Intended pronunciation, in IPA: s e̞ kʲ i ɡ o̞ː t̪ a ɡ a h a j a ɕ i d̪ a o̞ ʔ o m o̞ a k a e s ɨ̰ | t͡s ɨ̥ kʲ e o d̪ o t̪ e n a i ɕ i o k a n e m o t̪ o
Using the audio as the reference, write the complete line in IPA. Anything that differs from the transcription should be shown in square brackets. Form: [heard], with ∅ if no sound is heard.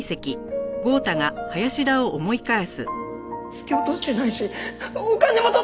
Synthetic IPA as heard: s e̞ kʲ i ɡ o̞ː t̪ a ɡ a h a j a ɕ i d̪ a o̞ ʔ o m o̞ [i] k a e s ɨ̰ | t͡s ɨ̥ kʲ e o [t̪] o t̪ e n a i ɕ i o k a n e m o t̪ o